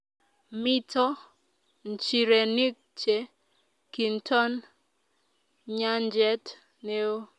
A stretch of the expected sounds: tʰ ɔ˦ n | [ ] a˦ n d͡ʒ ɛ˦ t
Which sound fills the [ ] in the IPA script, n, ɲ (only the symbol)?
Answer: ɲ